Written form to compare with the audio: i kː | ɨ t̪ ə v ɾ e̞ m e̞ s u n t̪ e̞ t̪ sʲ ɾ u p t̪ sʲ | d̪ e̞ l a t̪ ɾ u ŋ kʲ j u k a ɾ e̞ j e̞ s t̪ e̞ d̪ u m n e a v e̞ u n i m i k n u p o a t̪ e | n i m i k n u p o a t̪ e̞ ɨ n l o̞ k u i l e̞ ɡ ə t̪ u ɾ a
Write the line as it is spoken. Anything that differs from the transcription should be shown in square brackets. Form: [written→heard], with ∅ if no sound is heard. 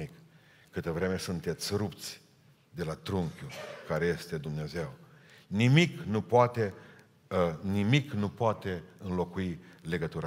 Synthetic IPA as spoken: i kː | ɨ t̪ ə v ɾ e̞ m e̞ s u n t̪ e̞ t̪ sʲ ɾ u p t̪ sʲ | d̪ e̞ l a t̪ ɾ u ŋ kʲ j u k a ɾ e̞ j e̞ s t̪ e̞ d̪ u m n e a [v→z] e̞ [u→w] n i m i k n u p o a t̪ e | n i m i k n u p o a t̪ e̞ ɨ n l o̞ k u i l e̞ ɡ ə t̪ u ɾ a